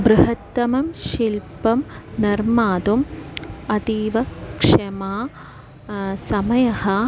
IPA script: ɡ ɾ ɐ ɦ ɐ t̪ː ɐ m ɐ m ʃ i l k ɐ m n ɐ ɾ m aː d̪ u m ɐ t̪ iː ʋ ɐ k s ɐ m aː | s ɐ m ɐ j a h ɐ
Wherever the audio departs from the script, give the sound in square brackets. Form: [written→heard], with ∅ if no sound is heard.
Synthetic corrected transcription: [ɡ→b] ɾ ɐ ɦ ɐ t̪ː ɐ m ɐ m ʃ i l [k→p] ɐ m n ɐ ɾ m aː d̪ u m ɐ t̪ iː ʋ ɐ k [s→ʂ] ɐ m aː | s ɐ m ɐ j [a→ɐ] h ɐ